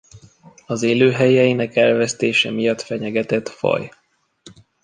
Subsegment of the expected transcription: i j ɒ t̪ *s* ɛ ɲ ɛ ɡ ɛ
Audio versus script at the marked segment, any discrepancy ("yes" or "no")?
yes